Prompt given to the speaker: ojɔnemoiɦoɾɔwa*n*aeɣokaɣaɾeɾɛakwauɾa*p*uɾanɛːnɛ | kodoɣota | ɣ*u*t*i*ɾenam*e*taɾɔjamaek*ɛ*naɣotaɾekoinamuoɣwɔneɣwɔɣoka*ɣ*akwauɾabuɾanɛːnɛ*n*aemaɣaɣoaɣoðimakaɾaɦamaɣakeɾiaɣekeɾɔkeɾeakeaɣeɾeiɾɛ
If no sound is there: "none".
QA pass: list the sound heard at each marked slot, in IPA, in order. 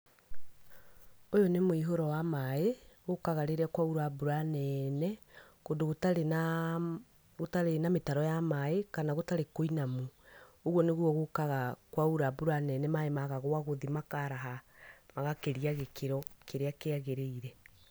m, b, o, a, e, a, ɣ, m

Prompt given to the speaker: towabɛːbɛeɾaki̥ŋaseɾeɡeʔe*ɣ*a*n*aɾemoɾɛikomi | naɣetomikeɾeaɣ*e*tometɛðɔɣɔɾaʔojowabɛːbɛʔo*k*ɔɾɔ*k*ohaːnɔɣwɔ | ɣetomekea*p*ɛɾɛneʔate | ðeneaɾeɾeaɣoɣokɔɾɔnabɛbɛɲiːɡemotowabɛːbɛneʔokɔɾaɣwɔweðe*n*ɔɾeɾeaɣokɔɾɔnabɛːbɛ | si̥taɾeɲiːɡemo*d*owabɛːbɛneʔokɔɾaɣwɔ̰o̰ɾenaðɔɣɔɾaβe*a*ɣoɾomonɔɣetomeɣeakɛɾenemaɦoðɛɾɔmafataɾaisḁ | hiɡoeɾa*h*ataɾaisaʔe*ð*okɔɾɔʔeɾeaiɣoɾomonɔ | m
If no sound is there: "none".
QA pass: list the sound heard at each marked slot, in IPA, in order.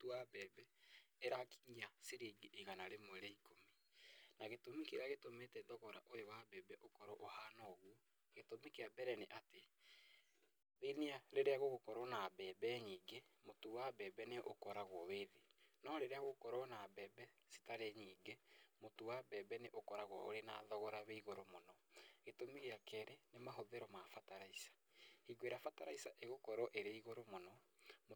ɣ, n, e, k, ʔ, b, n, t, i, f, ɣ

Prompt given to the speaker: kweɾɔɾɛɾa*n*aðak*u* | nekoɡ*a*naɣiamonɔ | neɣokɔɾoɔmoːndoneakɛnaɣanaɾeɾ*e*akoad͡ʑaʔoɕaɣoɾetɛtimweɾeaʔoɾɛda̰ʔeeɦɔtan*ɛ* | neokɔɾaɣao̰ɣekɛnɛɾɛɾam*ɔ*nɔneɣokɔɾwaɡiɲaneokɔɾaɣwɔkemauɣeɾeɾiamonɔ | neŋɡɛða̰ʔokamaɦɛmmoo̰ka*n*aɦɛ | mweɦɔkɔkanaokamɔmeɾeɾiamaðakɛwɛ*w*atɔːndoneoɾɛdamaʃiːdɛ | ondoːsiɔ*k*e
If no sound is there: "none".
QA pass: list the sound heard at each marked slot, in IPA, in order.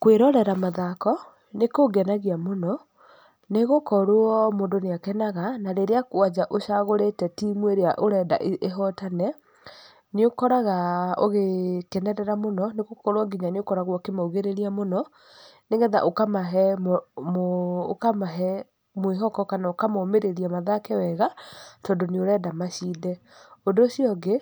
m, ɔ, ɛ, e, ɛ, o, m, ɣ, ɡ

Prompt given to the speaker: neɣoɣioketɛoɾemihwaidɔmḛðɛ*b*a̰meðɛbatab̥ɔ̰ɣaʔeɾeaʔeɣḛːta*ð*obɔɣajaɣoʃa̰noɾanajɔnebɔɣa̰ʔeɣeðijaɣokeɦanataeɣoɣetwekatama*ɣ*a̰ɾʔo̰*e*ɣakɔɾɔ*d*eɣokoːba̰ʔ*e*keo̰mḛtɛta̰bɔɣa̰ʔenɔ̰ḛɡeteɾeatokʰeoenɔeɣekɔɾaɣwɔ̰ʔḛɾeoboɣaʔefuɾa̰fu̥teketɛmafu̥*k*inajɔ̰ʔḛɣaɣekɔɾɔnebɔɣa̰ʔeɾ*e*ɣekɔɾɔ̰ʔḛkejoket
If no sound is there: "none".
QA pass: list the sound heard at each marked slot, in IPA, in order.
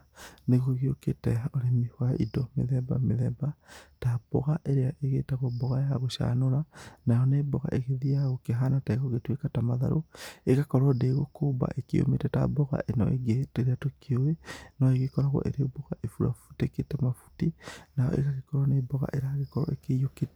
b, ɣ, ð, e, d, e, t, a

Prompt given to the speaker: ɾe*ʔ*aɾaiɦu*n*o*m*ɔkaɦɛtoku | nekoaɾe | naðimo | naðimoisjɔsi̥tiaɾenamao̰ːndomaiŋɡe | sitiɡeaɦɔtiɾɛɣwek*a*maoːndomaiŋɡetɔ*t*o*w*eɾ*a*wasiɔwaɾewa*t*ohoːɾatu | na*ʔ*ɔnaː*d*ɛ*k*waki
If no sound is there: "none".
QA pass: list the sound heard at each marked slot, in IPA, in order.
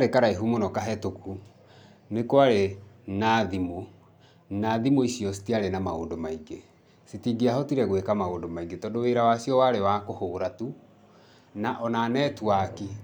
k, m, n, a, d, w, a, k, ʔ, n, t

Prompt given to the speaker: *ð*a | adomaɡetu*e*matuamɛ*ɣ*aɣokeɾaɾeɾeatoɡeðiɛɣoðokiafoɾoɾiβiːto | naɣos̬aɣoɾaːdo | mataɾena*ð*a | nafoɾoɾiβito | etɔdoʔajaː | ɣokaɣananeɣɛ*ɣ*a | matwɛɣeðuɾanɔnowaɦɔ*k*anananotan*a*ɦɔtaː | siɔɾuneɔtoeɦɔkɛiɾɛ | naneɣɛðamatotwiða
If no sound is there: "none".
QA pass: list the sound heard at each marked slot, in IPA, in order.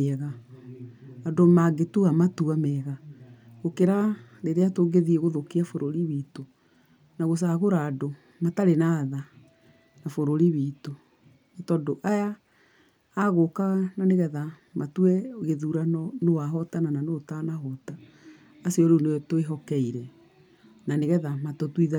ɣ, a, ɣ, ð, ð, t, a

